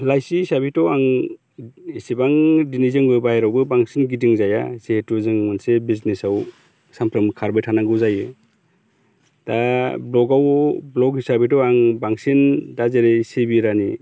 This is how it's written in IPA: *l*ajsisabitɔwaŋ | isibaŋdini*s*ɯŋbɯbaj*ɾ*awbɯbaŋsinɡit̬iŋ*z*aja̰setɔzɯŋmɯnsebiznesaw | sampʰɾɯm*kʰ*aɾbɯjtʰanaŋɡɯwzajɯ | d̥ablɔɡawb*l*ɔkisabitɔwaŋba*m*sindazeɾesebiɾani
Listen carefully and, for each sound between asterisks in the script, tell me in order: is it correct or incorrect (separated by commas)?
correct, incorrect, correct, correct, correct, correct, incorrect